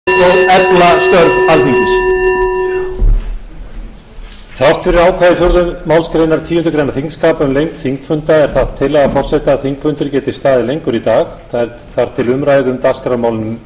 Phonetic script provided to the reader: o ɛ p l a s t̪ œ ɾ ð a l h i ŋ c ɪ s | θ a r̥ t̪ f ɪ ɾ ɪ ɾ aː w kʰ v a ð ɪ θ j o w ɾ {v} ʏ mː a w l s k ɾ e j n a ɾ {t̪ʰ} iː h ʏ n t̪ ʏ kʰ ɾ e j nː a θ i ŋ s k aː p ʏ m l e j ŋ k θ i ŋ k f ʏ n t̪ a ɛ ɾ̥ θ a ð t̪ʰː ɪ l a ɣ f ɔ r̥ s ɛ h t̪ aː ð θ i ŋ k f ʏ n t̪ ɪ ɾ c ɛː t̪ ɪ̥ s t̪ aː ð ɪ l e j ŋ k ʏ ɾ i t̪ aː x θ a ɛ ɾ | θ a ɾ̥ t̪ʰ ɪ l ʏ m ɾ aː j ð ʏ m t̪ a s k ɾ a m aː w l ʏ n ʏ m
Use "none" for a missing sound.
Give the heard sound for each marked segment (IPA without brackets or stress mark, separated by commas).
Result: ð, t̪ʰ